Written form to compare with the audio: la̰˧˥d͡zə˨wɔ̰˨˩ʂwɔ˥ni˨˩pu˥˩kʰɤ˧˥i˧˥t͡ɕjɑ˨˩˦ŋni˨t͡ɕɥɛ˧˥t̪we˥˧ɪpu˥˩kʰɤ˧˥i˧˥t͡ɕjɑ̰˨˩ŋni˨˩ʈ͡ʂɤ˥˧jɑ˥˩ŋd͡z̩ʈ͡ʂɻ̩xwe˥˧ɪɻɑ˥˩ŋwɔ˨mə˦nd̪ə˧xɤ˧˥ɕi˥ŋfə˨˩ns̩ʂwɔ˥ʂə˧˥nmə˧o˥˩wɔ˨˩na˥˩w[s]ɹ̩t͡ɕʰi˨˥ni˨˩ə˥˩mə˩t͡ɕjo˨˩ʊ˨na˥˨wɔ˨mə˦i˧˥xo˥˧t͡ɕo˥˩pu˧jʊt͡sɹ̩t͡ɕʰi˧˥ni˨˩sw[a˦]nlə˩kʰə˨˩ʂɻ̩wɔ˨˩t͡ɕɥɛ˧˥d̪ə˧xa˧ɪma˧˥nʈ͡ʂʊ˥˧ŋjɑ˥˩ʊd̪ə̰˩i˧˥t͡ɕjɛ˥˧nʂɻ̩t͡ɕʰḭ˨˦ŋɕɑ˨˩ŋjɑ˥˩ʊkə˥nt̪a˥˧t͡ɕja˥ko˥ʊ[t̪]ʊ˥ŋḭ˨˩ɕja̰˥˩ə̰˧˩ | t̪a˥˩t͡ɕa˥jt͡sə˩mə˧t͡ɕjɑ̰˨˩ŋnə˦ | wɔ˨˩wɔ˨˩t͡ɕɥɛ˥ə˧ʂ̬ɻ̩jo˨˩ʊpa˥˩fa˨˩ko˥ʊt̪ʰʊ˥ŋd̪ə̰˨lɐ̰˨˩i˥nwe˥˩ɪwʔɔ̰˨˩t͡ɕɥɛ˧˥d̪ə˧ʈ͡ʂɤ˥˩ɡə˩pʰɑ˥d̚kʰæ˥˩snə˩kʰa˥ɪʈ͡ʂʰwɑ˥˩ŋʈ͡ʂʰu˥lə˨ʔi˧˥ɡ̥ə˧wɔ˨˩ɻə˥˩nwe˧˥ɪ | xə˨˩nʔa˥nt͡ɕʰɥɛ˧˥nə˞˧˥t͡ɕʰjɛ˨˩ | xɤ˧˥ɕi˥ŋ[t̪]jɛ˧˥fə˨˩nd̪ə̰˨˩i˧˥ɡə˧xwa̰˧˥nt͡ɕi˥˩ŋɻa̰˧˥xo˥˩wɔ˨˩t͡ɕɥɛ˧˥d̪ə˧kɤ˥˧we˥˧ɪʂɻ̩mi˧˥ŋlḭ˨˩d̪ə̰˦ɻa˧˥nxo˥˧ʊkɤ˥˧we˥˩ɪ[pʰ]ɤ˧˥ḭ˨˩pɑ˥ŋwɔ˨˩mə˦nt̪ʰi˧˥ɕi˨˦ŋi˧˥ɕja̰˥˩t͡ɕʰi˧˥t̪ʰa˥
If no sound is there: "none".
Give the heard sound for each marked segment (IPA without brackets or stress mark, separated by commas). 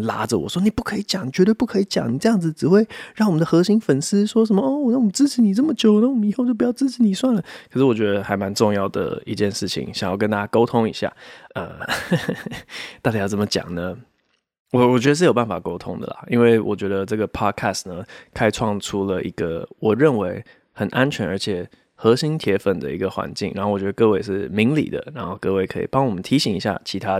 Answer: t͡s, a˥˩, t̪ʰ, t̪ʰ, kʰ